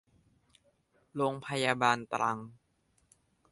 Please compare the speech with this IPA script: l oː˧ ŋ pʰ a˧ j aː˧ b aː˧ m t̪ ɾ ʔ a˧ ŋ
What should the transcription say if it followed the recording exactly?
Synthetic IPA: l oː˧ ŋ pʰ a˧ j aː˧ b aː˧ n t̪ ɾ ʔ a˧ ŋ